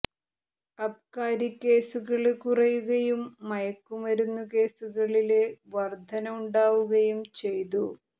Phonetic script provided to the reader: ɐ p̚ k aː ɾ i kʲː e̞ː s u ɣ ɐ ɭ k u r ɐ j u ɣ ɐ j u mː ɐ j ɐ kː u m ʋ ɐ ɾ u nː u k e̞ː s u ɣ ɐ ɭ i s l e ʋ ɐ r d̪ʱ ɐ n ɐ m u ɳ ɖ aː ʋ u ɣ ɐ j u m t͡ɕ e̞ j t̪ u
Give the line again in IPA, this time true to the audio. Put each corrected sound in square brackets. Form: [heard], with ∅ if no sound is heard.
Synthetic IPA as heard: ɐ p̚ k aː ɾ i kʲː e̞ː s u ɣ ɐ ɭ k u r ɐ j u ɣ ɐ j u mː ɐ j ɐ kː u m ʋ ɐ ɾ u nː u k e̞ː s u ɣ ɐ ɭ i [∅] l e ʋ ɐ r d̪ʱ ɐ n ɐ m u ɳ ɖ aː ʋ u ɣ ɐ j u m t͡ɕ e̞ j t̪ u

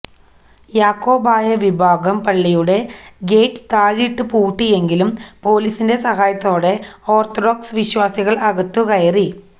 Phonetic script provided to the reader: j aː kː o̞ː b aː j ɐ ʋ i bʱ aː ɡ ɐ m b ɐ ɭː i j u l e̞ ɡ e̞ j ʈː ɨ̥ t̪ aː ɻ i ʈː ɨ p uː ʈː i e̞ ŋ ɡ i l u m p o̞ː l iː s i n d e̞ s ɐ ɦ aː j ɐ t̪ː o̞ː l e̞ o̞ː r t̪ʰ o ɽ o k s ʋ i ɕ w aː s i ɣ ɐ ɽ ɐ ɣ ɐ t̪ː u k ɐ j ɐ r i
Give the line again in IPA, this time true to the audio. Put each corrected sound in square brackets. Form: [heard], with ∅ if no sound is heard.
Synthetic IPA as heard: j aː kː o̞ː b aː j ɐ ʋ i bʱ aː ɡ ɐ m [p] ɐ ɭː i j u [ɽ] e̞ ɡ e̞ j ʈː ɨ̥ t̪ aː ɻ i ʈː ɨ p uː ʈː i e̞ ŋ ɡ i l u m p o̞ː l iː s i n d e̞ s ɐ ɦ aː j ɐ t̪ː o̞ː [ɽ] e̞ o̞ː r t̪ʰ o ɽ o k s ʋ i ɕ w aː s i ɣ ɐ [ɭ] ɐ ɣ ɐ t̪ː u k ɐ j ɐ r i

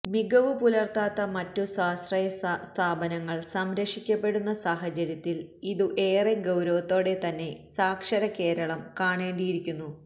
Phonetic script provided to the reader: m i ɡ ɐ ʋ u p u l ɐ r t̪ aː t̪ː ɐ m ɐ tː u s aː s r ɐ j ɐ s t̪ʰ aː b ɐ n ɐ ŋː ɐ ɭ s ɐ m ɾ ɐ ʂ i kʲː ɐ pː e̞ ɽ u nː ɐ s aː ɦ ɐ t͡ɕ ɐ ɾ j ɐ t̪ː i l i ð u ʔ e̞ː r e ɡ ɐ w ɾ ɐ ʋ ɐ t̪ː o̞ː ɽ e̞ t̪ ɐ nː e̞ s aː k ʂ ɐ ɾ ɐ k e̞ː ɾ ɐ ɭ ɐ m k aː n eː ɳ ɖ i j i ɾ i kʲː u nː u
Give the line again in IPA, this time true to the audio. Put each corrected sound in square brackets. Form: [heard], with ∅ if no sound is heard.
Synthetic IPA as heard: m i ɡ ɐ ʋ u p u l ɐ r t̪ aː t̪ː ɐ m ɐ tː u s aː s r ɐ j ɐ s t̪ʰ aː b ɐ n ɐ ŋː ɐ ɭ s ɐ m ɾ ɐ ʂ i kʲː ɐ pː e̞ ɽ u nː ɐ s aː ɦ ɐ t͡ɕ ɐ ɾ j ɐ t̪ː i l i ð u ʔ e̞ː r e ɡ ɐ w ɾ ɐ ʋ ɐ t̪ː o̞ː ɽ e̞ t̪ ɐ nː e̞ s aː k ʂ ɐ ɾ ɐ k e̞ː ɾ ɐ ɭ ɐ m k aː [ɳ] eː ɳ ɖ i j i ɾ i kʲː u nː u

